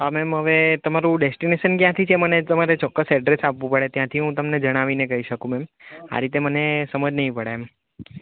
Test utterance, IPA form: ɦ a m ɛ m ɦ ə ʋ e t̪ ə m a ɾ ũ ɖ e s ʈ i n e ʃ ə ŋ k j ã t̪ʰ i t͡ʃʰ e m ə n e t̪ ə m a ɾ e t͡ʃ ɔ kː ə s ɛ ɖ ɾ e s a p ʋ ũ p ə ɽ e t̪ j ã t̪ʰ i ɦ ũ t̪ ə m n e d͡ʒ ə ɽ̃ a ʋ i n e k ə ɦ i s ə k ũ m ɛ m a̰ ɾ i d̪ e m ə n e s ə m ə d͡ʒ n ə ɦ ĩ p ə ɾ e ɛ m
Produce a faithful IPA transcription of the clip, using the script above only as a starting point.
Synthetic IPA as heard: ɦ a m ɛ m ɦ ə ʋ e t̪ ə m a ɾ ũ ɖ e s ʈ i n e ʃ ə n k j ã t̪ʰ i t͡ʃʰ e m ə n e t̪ ə m a ɾ e t͡ʃ ɔ kː ə s ɛ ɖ ɾ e s a p ʋ ũ p ə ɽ e t̪ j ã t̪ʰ i ɦ ũ t̪ ə m n e d͡ʒ ə ɽ̃ a ʋ i n e k ə ɦ i ʃ ə k ũ m ɛ m a̰ ɾ i t̪ e m ə n e s ə m ə d͡ʒ n ə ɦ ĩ p ə ɽ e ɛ m